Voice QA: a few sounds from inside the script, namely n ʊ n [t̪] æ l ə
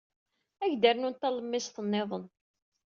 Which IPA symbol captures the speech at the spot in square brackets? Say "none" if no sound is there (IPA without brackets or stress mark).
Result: t̪